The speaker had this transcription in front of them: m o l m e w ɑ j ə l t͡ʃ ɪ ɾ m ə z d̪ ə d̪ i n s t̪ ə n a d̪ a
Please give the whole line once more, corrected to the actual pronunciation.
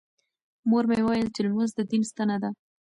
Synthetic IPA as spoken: m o ɾ m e w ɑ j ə l t͡ʃ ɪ l m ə z d̪ ə d̪ i n s t̪ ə n a d̪ a